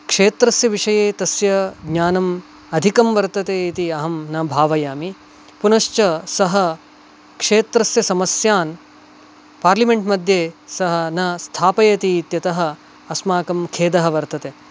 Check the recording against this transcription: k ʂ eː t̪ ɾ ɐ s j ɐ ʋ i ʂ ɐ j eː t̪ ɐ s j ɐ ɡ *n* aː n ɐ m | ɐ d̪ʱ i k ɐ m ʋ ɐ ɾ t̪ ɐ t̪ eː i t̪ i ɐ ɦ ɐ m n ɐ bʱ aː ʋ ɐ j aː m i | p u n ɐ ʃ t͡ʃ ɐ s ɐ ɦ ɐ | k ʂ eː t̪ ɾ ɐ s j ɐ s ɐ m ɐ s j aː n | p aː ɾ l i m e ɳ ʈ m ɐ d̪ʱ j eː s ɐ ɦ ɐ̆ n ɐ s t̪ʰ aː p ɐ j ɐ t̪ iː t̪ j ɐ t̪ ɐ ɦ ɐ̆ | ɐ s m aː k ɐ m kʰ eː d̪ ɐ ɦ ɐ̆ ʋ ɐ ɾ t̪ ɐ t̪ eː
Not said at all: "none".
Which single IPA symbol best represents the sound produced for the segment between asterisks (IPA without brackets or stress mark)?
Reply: ɲ